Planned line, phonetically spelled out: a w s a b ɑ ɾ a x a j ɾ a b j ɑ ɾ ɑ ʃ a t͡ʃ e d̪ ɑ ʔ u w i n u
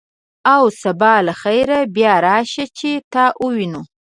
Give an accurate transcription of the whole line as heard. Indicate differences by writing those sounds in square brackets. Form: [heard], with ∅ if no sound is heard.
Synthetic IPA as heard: a w s a b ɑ [l] a x a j ɾ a b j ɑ ɾ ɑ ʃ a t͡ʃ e [t̪] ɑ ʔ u w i n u